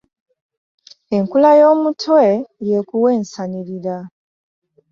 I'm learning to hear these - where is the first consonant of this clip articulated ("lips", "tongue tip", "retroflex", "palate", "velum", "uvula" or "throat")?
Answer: velum